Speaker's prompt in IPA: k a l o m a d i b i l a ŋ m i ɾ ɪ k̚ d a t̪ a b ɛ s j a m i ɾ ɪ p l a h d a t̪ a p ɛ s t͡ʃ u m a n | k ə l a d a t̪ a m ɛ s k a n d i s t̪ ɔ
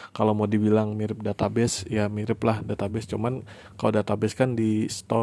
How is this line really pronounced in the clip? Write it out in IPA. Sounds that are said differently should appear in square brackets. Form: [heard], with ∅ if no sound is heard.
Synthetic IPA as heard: k a l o m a d i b i l a ŋ m i ɾ ɪ [p̚] d a t̪ a b ɛ s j a m i ɾ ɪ p l a h d a t̪ a [b] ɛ s t͡ʃ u m a n | k [a] l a d a t̪ a [b] ɛ s k a n d i s t̪ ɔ